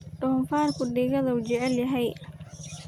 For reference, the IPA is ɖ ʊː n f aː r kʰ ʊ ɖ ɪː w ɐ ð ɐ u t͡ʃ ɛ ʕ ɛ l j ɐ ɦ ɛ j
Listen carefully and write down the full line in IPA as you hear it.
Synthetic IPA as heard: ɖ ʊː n f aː r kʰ ʊ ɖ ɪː ɣ ɐ ð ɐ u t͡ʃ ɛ ʕ ɛ l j ɐ ɦ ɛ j